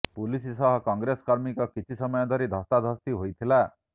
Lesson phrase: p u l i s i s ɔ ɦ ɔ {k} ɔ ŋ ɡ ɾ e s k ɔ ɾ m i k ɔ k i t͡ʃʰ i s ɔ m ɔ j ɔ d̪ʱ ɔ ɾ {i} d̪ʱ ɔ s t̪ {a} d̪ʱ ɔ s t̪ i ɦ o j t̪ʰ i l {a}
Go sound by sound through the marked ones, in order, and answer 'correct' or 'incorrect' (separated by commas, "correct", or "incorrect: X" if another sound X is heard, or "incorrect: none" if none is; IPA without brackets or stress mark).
correct, correct, correct, correct